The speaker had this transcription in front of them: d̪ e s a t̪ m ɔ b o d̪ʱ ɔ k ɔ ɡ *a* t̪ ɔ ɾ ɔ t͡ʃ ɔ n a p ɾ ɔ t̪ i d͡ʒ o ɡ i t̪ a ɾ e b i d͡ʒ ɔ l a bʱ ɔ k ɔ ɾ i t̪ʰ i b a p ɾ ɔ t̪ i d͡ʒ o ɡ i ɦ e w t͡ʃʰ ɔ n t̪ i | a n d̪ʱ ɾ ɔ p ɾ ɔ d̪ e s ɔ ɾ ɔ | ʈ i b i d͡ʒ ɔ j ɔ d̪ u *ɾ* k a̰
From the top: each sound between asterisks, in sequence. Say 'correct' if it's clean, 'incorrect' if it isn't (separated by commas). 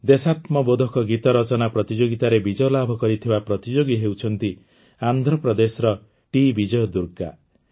incorrect, correct